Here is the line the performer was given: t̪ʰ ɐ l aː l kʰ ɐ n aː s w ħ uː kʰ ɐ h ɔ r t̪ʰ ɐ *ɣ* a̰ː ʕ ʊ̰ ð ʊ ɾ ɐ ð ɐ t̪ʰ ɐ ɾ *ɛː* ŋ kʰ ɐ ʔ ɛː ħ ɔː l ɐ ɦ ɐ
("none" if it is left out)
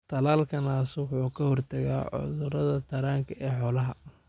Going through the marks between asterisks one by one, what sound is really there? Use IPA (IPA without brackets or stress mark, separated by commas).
ɣ, aː